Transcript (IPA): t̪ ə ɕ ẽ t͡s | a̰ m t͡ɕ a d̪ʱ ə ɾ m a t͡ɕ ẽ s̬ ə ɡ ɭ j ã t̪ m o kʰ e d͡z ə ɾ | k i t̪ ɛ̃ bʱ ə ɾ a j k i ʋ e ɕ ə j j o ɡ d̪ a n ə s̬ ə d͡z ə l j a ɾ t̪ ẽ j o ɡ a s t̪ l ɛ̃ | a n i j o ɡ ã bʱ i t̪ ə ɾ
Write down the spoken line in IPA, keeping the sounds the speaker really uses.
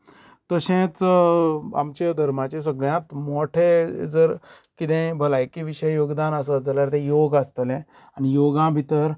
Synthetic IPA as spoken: t̪ ə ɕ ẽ t͡s | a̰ m t͡ɕ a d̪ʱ ə ɾ m a t͡ɕ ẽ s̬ ə ɡ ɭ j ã t̪ m o ʈʰ e d͡z ə ɾ | k i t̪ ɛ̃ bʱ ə l a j k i ʋ i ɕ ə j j o ɡ d̪ a n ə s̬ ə d͡z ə l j a ɾ t̪ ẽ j o ɡ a s t̪ l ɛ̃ | a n i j o ɡ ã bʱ i t̪ ə ɾ